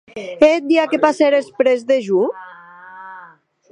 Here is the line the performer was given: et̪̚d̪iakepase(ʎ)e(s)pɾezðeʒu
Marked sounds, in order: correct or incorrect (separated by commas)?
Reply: incorrect, correct